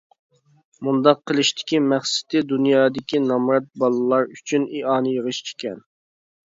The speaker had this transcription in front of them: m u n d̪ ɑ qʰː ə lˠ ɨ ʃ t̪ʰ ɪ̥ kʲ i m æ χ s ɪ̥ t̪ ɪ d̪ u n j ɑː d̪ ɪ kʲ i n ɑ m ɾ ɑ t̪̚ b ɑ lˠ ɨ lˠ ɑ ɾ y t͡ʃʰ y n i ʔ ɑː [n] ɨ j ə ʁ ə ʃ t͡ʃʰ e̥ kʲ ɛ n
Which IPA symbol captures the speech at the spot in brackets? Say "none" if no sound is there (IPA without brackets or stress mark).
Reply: n